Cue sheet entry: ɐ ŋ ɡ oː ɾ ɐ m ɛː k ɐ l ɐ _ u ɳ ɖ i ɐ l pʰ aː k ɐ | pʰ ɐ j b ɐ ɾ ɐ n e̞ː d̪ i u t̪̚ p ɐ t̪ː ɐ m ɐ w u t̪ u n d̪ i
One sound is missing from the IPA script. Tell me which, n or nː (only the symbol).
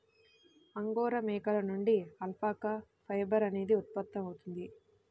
n